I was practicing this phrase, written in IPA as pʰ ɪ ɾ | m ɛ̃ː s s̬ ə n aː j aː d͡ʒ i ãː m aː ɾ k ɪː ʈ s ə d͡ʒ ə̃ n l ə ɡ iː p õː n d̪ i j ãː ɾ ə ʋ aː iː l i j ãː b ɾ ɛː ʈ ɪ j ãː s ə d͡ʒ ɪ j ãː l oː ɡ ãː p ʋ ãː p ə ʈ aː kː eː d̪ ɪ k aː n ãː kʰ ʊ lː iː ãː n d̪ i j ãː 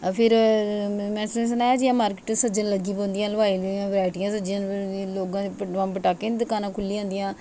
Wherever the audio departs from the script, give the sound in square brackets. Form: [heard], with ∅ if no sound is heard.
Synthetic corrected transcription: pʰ ɪ ɾ | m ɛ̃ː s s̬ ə n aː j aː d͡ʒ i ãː m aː ɾ k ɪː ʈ s ə d͡ʒ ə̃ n l ə ɡ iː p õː n d̪ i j ãː [l] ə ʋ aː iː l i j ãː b ɾ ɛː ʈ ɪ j ãː s ə d͡ʒ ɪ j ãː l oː ɡ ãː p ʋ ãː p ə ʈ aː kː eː d̪ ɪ k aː n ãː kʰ ʊ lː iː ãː n d̪ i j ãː

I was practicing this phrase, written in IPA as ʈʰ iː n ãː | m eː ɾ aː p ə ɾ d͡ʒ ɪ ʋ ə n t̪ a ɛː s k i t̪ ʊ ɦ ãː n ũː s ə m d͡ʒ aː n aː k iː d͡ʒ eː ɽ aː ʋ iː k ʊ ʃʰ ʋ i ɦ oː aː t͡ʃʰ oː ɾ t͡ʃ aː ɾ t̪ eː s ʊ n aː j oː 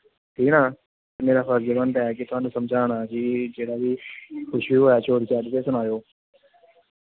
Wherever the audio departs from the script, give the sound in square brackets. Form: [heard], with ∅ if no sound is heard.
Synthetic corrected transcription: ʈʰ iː n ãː | m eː ɾ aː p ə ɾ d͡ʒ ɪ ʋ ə n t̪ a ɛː [∅] k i t̪ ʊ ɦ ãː n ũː s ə m d͡ʒ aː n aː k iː d͡ʒ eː ɽ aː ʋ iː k ʊ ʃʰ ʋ i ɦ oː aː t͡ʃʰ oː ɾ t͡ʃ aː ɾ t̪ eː s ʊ n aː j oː

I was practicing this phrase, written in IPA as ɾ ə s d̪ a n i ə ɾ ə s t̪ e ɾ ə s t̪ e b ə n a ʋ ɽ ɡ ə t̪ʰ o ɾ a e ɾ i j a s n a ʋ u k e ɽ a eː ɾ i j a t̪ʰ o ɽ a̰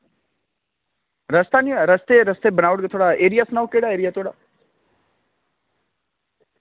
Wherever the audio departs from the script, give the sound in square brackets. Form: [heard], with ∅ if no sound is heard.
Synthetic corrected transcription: ɾ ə s [t̪] a n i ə ɾ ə s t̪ e ɾ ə s t̪ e b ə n a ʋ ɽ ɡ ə t̪ʰ o [ɽ] a e ɾ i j a s n a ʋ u k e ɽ a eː ɾ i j a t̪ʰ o ɽ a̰

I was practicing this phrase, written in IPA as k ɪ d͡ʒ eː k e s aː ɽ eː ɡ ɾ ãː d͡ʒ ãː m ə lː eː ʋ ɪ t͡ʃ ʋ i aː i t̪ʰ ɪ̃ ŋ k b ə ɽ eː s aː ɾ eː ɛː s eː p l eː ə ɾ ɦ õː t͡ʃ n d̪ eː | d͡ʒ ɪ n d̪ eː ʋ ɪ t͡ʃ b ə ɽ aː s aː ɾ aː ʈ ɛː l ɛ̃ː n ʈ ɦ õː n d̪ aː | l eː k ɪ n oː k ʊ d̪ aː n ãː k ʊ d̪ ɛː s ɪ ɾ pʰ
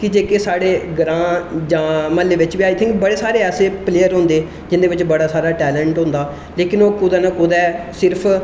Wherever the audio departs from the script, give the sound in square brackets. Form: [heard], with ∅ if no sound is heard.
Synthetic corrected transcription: k ɪ d͡ʒ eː k e s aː ɽ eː ɡ ɾ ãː d͡ʒ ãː m ə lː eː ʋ ɪ t͡ʃ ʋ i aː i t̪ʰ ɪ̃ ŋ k b ə ɽ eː s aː ɾ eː ɛː s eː p l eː ə ɾ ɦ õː [∅] n d̪ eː | d͡ʒ ɪ n d̪ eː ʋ ɪ t͡ʃ b ə ɽ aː s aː ɾ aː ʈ ɛː l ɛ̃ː [ɳ] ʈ ɦ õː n d̪ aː | l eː k ɪ n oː k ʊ d̪ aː n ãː k ʊ d̪ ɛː s ɪ ɾ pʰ

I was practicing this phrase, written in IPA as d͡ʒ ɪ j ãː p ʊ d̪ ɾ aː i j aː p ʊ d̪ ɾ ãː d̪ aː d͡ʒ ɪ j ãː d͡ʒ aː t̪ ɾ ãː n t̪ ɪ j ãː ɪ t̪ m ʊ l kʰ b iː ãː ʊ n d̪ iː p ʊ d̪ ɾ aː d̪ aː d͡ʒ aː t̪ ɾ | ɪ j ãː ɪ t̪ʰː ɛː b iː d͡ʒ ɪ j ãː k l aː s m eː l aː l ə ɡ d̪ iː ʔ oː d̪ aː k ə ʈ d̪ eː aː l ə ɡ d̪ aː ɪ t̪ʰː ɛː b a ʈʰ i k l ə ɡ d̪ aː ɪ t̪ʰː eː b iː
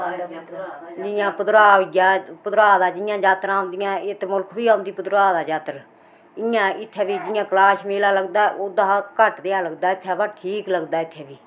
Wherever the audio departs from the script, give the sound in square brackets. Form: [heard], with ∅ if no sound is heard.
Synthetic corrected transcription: d͡ʒ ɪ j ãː p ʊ d̪ ɾ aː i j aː p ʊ d̪ ɾ [aː] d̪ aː d͡ʒ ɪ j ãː d͡ʒ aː t̪ ɾ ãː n [d̪] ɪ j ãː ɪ t̪ m ʊ l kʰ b iː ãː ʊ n d̪ iː p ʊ d̪ ɾ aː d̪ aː d͡ʒ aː t̪ ɾ | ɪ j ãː ɪ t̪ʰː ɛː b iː d͡ʒ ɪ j ãː k l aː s m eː l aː l ə ɡ d̪ [aː] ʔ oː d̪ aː k ə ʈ d̪ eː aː l ə ɡ d̪ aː ɪ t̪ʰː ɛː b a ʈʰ [iː] k l ə ɡ d̪ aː ɪ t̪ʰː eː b iː

